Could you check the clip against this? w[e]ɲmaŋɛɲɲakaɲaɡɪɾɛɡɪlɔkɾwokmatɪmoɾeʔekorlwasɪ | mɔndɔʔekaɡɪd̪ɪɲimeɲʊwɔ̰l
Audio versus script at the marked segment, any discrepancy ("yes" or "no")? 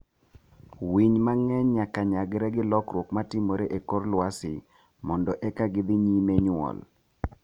yes